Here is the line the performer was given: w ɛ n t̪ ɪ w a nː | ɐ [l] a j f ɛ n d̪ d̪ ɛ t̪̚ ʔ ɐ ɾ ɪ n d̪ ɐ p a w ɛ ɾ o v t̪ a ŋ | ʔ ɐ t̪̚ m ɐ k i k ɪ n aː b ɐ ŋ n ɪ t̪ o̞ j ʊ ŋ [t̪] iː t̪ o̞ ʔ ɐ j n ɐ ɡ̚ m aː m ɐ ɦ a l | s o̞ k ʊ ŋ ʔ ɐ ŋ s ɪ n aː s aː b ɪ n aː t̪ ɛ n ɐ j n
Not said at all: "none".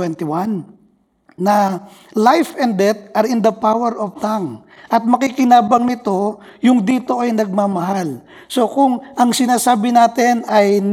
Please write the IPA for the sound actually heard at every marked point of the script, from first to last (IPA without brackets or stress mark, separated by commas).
l, d̪